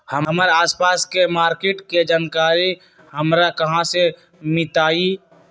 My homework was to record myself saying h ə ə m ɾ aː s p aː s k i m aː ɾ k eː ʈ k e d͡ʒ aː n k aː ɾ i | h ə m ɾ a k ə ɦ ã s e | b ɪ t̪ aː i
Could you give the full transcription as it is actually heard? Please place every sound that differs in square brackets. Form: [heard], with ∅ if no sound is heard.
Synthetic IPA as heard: h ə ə m ɾ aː s p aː s k [e] m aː ɾ k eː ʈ k e d͡ʒ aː n k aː ɾ i | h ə m ɾ a k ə ɦ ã s e | [m] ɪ t̪ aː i